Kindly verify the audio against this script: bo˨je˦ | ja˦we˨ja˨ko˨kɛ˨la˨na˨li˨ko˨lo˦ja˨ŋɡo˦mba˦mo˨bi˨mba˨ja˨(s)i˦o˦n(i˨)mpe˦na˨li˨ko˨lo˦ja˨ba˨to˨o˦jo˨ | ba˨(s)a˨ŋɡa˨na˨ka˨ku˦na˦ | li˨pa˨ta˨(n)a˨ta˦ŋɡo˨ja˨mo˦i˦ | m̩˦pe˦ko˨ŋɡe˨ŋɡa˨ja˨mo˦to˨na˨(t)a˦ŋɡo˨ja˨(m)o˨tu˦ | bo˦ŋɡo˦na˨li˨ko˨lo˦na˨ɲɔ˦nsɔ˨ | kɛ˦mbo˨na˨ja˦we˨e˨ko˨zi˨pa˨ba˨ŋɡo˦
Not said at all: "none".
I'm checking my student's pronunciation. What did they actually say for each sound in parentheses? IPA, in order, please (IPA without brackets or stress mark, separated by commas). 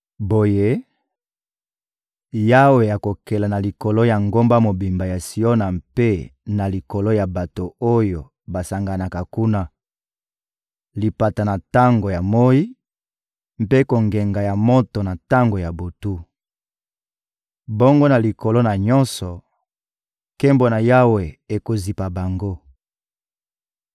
s, a˨, s, n, t, b